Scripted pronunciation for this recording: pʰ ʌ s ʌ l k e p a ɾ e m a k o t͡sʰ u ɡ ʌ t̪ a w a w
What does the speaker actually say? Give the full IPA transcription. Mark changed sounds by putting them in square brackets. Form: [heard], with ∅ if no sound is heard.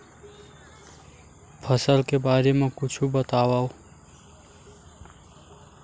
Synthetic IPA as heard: pʰ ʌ s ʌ l k e [b] a ɾ e m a k [u] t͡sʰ u [b] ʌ t̪ a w a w

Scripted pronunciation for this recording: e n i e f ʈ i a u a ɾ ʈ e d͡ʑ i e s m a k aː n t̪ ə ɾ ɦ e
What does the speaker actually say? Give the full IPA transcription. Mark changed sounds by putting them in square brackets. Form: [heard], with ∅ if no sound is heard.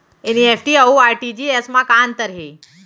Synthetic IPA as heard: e n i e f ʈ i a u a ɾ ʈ [i] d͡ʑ i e s m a k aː n t̪ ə ɾ ɦ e

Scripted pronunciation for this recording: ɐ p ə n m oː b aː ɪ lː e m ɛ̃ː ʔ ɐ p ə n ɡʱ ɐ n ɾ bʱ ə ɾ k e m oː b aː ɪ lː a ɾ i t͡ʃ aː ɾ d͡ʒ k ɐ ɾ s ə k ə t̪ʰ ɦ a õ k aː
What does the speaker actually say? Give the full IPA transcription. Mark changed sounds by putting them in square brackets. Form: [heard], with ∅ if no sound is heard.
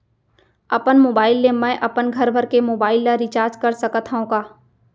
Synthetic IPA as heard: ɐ p ə n m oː b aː ɪ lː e m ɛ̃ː ʔ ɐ p ə n ɡʱ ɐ [∅] ɾ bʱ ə ɾ k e m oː b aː ɪ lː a ɾ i t͡ʃ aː ɾ d͡ʒ k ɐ ɾ s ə k ə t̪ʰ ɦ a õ k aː

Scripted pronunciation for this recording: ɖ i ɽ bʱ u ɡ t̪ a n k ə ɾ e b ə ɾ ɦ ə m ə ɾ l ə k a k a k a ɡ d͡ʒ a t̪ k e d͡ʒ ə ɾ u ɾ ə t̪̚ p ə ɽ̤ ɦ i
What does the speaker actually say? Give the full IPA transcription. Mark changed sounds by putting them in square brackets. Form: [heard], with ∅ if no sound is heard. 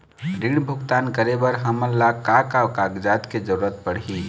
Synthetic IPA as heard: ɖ i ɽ bʱ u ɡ t̪ a n k ə ɾ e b ə ɾ ɦ ə m ə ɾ l [a] k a k a k a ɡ d͡ʒ a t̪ k e d͡ʒ ə ɾ u ɾ ə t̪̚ p ə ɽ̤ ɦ i

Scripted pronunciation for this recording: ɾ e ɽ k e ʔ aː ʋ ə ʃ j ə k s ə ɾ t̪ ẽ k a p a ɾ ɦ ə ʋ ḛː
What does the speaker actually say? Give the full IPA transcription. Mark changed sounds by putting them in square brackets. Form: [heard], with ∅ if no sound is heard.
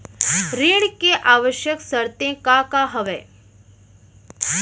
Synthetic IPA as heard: ɾ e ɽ k e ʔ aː ʋ ə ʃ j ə k s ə ɾ t̪ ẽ k a [k] a [∅] ɦ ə ʋ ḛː

